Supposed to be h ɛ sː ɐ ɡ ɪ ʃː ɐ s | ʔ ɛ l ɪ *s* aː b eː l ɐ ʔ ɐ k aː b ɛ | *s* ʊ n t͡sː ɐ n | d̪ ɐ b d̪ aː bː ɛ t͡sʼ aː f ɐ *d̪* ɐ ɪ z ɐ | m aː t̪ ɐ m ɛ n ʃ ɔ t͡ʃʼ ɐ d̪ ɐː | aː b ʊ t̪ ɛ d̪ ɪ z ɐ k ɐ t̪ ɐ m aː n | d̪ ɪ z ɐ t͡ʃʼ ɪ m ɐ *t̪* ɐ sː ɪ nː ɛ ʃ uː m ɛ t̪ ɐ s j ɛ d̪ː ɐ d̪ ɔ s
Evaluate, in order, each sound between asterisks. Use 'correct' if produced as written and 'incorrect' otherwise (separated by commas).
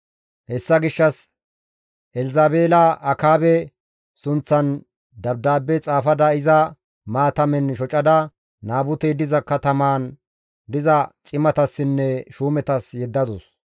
incorrect, correct, correct, correct